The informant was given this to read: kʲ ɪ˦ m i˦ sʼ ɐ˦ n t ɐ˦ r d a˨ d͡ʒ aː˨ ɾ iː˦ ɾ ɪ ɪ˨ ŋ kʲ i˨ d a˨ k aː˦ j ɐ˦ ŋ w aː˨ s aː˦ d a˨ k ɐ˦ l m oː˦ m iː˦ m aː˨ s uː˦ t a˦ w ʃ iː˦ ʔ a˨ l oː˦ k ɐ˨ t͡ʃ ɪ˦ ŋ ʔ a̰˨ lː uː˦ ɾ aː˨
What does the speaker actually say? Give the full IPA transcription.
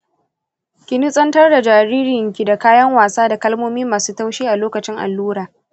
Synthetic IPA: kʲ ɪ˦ n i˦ sʼ ɐ˦ n t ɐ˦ r d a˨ d͡ʒ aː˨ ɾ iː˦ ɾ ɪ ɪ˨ ŋ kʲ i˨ d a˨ k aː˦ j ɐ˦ ŋ w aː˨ s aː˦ d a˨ k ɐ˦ l m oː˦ m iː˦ m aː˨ s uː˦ t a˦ w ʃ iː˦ ʔ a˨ l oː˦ k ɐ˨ t͡ʃ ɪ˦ ŋ ʔ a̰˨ lː uː˦ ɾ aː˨